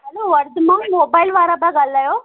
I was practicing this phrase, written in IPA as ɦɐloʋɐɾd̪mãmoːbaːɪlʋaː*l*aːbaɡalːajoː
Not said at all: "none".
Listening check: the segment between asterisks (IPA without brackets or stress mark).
ɾ